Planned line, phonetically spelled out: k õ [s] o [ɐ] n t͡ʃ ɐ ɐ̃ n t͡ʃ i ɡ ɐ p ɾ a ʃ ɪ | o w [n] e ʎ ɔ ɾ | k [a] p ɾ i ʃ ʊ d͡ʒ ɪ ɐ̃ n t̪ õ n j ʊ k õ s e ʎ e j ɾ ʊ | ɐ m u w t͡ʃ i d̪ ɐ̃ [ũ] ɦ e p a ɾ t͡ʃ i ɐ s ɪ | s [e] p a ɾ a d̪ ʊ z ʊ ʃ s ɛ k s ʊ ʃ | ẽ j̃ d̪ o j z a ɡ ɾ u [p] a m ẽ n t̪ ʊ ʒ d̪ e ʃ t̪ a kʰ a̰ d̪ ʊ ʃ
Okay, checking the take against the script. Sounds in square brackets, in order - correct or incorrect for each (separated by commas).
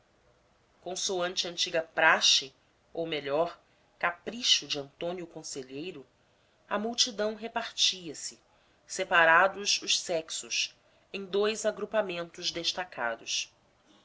correct, incorrect, incorrect, correct, incorrect, correct, correct